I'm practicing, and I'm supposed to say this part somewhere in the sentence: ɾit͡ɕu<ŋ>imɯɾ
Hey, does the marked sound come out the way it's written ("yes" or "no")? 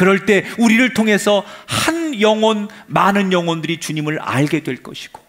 no